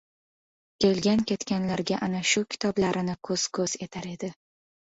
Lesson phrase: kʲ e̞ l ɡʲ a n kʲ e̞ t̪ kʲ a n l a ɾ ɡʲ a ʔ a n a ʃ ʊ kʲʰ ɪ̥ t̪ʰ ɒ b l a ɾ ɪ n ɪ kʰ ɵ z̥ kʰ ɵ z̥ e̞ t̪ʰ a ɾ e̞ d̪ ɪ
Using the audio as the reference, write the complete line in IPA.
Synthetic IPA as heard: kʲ e̞ l ɡʲ a n kʲ e̞ t̪ kʲ a n l a ɾ ɡʲ a ʔ a n a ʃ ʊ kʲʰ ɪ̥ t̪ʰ ɒ b l a ɾ ɪ n ɪ kʰ ɵ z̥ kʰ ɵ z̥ e̞ t̪ʰ a ɾ e̞ d̪ ɪ